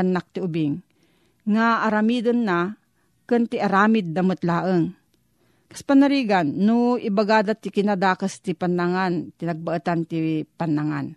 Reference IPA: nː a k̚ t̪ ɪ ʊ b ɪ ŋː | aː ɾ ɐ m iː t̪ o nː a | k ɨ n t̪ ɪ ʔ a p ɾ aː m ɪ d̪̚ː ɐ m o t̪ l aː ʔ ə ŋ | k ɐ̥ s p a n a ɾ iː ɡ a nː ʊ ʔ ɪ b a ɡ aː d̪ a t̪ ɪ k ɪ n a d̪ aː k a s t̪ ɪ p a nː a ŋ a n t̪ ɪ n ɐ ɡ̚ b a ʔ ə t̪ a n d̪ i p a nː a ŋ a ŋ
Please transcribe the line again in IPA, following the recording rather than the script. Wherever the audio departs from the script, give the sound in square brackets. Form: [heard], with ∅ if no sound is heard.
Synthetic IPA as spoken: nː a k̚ t̪ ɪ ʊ b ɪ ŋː | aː ɾ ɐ m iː [d̪] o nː a | k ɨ n t̪ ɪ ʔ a [∅] ɾ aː m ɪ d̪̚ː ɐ m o t̪ l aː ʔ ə ŋ | k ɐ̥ s p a n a ɾ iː ɡ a nː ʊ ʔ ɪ b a ɡ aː d̪ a t̪ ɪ k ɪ n a d̪ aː k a s t̪ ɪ p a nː a ŋ a n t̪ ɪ n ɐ ɡ̚ b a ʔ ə t̪ a n [t̪] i p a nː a ŋ a [n]